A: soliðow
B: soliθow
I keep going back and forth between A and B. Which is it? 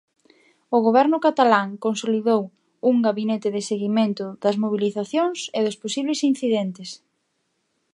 A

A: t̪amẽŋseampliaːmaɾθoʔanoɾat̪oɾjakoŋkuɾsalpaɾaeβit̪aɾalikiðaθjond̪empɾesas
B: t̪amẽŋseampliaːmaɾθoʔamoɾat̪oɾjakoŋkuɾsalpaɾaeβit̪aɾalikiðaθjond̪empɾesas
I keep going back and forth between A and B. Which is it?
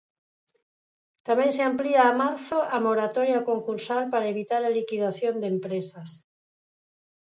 B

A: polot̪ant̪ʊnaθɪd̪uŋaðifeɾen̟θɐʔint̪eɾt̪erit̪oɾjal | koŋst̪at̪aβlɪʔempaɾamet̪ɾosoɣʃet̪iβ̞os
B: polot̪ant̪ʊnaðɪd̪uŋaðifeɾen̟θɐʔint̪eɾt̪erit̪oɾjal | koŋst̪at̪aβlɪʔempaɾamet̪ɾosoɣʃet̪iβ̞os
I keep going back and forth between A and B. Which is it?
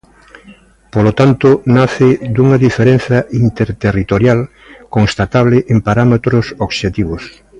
A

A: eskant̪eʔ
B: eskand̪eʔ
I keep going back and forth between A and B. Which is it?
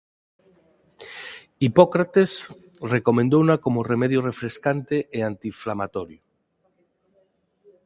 A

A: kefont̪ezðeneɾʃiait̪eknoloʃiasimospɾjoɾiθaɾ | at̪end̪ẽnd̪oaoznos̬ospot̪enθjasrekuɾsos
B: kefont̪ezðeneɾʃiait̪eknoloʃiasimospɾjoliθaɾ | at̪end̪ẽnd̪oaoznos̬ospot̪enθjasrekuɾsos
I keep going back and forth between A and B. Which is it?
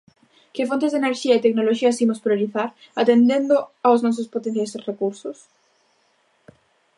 A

